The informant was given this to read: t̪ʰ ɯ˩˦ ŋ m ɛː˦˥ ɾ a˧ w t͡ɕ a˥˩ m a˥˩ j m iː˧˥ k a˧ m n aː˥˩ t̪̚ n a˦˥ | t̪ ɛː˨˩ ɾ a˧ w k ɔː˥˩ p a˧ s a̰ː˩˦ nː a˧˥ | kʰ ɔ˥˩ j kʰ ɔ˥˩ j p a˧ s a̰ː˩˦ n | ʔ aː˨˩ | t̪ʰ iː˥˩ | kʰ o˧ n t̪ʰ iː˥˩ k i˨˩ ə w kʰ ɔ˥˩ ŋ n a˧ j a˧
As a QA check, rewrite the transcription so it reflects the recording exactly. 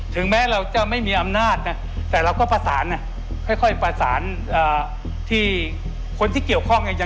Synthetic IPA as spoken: t̪ʰ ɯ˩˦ ŋ m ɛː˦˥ ɾ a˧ w t͡ɕ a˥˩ m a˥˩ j m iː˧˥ ʔ a˧ m n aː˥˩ t̪̚ n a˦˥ | t̪ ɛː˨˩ ɾ a˧ w k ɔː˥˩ p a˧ s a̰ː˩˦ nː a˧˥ | kʰ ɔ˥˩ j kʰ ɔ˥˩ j p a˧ s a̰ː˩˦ n | ʔ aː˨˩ | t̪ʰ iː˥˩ | kʰ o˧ n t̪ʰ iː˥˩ k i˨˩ ə w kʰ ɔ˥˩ ŋ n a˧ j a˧